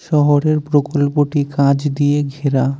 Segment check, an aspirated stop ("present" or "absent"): absent